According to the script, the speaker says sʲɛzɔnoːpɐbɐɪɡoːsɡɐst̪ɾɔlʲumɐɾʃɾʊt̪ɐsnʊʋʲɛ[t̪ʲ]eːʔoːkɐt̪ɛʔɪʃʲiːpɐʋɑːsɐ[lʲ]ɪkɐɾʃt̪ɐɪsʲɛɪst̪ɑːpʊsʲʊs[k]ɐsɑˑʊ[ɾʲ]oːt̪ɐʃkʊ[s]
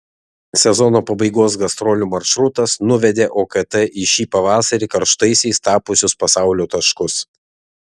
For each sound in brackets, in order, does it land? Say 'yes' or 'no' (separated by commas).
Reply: no, no, no, no, yes